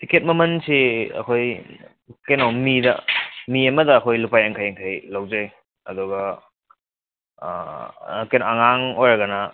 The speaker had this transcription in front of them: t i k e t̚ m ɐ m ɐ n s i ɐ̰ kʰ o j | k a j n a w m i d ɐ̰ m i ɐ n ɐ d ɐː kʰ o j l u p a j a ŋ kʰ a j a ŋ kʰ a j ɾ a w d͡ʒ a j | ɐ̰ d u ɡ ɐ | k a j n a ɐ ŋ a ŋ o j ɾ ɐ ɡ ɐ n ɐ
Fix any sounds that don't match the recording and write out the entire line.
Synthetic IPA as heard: t i k e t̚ m ɐ m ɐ n s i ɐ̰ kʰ o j | k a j n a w m i d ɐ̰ m i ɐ m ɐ d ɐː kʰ o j l u p a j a ŋ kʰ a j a ŋ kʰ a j l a w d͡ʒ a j | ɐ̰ d u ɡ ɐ | k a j n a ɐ ŋ a ŋ o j ɾ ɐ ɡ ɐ n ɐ